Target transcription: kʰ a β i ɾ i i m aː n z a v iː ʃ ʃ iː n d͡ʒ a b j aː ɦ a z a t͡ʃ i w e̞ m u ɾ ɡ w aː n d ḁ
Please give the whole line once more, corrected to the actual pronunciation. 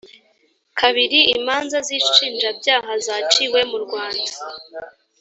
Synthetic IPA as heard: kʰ a β i ɾ i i m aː n z a z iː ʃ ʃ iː n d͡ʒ a b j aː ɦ a z a t͡ʃ i w e̞ m u ɾ ɡ w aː n d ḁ